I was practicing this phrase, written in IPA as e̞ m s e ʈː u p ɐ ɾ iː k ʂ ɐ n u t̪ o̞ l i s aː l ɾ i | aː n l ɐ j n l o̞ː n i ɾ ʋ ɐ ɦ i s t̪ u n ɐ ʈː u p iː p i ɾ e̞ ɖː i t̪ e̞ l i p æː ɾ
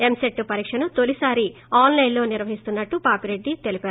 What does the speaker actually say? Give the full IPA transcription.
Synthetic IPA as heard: e̞ m s e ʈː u p ɐ ɾ iː k ʂ ɐ n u t̪ o̞ l i s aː ɾ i | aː n l ɐ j n l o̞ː n i ɾ ʋ ɐ ɦ i s t̪ u nː ɐ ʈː u p aː p i ɾ e̞ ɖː i t̪ e̞ l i p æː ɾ